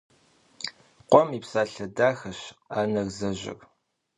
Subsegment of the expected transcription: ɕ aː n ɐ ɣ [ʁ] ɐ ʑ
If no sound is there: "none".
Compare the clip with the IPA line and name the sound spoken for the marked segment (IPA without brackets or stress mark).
z